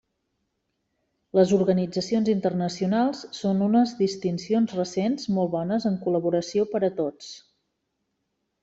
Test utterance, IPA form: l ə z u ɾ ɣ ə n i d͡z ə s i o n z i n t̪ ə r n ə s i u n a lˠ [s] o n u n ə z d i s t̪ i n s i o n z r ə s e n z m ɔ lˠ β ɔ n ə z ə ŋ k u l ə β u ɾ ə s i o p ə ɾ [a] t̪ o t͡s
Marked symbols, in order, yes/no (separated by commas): no, no